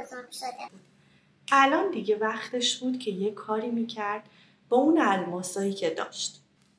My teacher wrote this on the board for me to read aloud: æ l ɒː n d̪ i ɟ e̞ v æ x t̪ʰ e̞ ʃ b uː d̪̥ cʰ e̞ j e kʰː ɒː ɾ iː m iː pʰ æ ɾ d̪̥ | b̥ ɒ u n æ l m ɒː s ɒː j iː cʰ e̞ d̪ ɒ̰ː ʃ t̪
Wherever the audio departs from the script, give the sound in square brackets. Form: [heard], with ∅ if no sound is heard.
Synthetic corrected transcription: æ l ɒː n d̪ i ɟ e̞ v æ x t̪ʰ e̞ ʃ b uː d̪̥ cʰ e̞ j e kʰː ɒː ɾ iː m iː [cʰ] æ ɾ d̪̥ | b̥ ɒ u n æ l m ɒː s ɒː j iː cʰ e̞ d̪ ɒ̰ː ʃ t̪

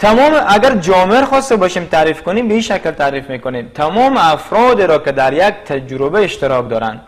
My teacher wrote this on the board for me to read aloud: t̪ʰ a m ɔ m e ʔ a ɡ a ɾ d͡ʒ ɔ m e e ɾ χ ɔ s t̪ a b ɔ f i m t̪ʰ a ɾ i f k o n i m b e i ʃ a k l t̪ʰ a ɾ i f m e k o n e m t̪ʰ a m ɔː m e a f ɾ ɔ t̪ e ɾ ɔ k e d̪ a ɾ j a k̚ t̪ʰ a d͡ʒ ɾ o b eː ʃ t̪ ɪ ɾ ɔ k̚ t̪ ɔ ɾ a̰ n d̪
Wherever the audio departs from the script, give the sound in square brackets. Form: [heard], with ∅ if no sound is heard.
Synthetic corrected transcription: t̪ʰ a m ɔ m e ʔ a ɡ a ɾ d͡ʒ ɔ m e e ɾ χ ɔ s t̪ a b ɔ [ʃ] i m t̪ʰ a ɾ i f k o n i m b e i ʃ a k l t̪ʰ a ɾ i f m e k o n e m t̪ʰ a m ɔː m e a f ɾ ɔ [d̪] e ɾ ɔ k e d̪ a ɾ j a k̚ t̪ʰ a d͡ʒ ɾ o b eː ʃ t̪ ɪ ɾ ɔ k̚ [d̪] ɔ ɾ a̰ n d̪

